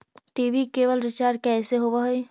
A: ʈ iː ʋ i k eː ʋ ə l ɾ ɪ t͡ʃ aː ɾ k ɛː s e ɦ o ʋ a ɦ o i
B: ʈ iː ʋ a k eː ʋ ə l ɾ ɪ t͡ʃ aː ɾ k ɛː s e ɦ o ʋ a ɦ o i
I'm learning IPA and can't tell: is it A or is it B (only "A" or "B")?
A